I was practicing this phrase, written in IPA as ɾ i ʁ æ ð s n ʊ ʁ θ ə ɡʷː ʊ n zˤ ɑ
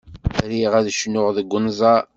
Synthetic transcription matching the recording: ɾ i ʁ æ ð ʃ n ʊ ʁ ð ə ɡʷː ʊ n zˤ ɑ